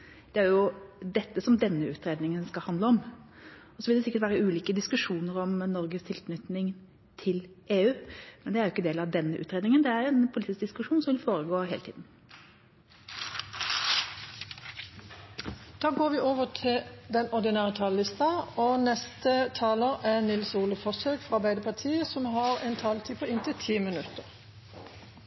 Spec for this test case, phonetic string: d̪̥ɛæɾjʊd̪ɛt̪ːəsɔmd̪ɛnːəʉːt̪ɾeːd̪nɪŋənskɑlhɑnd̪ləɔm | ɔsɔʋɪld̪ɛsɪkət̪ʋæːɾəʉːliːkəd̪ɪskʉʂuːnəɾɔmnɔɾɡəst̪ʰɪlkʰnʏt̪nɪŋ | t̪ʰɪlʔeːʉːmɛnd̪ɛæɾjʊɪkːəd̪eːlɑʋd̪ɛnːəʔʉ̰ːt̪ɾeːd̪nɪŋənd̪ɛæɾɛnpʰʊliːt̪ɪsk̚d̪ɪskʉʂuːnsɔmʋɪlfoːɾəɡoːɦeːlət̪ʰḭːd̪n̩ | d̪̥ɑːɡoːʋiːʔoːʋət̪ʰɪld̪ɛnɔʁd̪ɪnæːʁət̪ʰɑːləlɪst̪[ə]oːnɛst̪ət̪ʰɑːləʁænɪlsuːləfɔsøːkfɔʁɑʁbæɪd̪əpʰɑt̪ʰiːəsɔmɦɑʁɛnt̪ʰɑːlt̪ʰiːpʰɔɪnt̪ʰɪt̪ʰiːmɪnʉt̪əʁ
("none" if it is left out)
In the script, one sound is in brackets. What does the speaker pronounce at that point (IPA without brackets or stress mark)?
ɑ